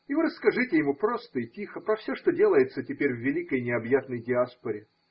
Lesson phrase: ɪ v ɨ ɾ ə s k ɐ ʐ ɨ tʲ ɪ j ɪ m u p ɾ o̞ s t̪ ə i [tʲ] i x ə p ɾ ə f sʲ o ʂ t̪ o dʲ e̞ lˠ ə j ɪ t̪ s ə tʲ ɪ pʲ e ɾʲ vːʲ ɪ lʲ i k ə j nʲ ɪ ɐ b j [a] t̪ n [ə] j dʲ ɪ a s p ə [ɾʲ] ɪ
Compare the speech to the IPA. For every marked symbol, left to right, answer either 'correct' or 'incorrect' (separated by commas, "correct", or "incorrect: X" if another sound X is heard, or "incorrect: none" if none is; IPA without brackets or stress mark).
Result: correct, correct, correct, correct